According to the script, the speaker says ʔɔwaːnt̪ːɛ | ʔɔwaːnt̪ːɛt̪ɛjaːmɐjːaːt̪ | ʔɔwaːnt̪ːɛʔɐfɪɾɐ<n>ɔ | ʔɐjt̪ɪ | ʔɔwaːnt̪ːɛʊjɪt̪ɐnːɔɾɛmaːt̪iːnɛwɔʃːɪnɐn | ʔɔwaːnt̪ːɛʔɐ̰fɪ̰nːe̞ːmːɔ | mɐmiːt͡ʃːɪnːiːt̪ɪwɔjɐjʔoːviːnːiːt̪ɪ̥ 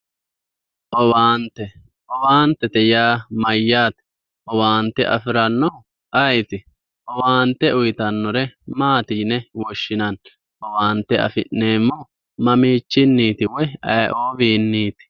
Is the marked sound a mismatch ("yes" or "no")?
yes